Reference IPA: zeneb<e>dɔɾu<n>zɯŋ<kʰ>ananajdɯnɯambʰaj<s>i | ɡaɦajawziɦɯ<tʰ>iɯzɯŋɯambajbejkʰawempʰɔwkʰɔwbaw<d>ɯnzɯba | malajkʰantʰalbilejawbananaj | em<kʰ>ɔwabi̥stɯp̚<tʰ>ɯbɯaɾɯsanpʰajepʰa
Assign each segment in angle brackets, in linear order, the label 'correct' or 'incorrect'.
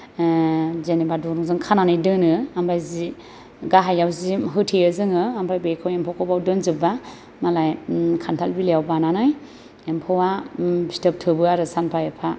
incorrect, incorrect, correct, incorrect, correct, correct, incorrect, correct

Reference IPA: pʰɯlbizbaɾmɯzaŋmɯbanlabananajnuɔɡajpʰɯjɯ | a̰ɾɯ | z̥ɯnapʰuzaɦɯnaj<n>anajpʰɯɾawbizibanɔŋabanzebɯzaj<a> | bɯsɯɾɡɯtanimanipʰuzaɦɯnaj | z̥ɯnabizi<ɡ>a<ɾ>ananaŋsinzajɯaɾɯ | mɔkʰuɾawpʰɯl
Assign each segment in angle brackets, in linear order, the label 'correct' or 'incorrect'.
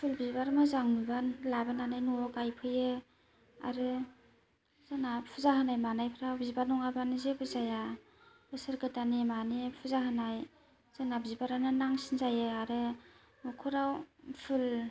incorrect, correct, incorrect, correct

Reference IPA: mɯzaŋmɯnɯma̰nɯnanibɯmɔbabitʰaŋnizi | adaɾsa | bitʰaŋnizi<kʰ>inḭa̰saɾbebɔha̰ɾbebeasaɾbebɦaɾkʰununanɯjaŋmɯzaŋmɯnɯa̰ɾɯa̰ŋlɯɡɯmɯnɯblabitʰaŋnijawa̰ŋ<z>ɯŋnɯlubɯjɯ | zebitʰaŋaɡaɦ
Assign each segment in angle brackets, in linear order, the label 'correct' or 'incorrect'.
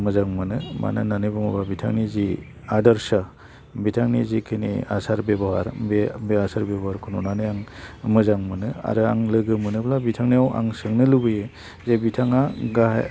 correct, incorrect

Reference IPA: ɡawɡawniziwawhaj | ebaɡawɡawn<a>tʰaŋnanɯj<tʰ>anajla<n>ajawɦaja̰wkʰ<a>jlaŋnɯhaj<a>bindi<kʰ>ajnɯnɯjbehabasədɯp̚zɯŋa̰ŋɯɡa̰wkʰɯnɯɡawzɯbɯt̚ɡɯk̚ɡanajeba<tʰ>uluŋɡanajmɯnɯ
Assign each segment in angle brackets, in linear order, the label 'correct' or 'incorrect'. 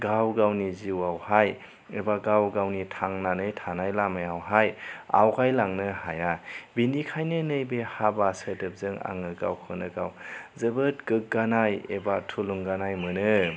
incorrect, correct, incorrect, correct, correct, correct, correct

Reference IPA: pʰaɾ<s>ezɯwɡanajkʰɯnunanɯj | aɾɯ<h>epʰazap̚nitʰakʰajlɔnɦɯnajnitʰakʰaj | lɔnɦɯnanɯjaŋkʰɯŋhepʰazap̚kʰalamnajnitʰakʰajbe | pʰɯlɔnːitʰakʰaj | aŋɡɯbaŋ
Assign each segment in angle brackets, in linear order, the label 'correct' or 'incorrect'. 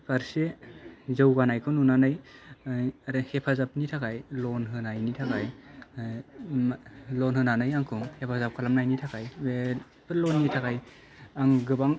correct, correct

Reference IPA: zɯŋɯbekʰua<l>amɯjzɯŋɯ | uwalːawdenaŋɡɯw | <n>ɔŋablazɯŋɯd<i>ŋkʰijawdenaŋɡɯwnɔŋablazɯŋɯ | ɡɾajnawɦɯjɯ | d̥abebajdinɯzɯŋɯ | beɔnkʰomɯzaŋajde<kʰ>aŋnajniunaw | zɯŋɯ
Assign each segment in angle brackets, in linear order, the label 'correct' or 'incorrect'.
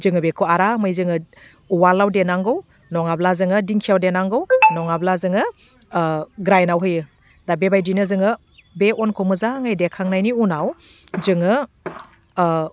incorrect, correct, correct, correct

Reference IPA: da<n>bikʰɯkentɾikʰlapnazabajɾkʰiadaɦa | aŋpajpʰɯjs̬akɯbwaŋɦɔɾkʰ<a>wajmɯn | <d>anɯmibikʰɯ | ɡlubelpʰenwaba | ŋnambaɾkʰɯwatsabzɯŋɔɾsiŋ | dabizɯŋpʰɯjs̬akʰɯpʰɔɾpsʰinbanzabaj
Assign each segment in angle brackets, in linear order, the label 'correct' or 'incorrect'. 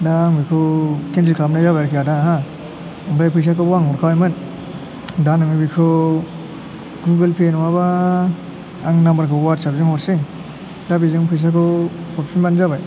incorrect, correct, correct

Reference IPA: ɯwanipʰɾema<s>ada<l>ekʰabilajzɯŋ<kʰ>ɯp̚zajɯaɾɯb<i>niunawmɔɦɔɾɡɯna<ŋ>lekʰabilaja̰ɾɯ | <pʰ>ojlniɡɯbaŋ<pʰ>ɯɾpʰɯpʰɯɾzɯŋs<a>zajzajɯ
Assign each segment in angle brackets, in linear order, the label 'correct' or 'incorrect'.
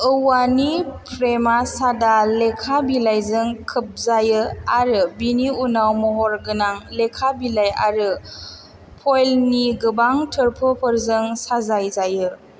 correct, correct, correct, correct, correct, correct, incorrect, correct

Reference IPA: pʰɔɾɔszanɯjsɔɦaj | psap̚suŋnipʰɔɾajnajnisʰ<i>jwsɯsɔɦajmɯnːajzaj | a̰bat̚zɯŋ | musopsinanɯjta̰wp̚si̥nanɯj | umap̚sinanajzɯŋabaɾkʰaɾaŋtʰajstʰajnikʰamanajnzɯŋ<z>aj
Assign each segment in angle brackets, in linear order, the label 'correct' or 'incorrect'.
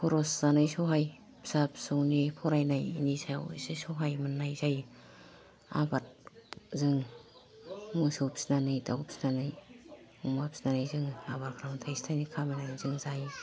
incorrect, correct

